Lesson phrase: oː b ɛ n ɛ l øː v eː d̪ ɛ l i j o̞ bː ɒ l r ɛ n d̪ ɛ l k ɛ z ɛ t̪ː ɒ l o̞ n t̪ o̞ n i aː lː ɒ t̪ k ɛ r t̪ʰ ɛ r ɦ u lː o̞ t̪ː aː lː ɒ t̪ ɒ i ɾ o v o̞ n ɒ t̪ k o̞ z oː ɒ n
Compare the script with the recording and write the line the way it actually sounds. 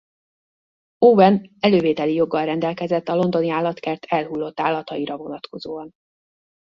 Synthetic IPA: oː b ɛ n ɛ l øː v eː t̪ ɛ l i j o̞ ɡː ɒ l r ɛ n d̪ ɛ l k ɛ z ɛ t̪ː ɒ l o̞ n d̪ o̞ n i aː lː ɒ t̪ k ɛ r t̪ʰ ɛ l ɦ u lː o̞ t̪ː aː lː ɒ t̪ ɒ i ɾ ɒ v o̞ n ɒ t̪ k o̞ z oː ɒ n